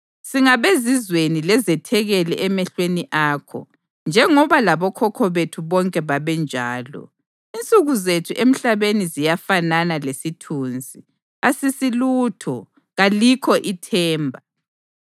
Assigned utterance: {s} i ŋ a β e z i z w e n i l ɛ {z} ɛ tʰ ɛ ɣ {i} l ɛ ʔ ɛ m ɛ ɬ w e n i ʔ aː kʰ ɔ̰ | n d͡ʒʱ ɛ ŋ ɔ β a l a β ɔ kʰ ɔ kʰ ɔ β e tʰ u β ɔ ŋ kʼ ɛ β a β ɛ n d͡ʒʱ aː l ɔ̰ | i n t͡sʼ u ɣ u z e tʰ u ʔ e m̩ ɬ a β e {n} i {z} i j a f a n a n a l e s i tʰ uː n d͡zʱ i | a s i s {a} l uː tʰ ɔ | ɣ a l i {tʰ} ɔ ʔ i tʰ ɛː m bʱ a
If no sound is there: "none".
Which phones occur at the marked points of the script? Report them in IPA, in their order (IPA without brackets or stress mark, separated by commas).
s, z, ɛ, n, z, i, kʰ